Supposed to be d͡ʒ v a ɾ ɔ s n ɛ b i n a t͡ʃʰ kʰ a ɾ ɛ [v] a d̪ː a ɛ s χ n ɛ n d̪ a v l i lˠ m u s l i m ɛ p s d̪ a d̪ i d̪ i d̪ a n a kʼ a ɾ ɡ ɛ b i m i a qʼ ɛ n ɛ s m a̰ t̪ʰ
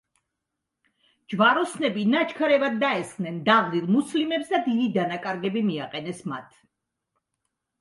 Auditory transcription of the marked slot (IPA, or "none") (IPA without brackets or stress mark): v